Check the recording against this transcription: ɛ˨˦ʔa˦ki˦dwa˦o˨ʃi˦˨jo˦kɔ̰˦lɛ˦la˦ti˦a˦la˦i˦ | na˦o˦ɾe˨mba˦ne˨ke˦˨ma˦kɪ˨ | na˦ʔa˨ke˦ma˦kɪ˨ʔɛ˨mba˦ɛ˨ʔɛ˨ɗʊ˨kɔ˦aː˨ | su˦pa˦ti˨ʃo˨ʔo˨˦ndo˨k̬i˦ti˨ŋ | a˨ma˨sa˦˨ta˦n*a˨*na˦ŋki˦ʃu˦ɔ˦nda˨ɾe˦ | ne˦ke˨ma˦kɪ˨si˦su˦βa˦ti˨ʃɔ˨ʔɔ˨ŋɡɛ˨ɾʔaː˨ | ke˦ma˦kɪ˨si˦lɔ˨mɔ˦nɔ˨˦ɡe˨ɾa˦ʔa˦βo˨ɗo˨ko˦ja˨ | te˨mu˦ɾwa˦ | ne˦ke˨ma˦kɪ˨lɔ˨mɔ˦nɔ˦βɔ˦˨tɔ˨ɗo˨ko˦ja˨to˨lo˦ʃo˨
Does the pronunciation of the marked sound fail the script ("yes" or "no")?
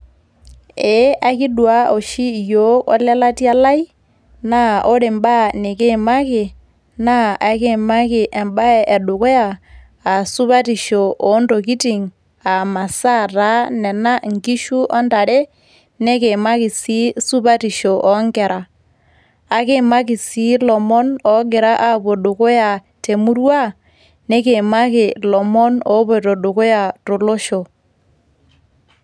yes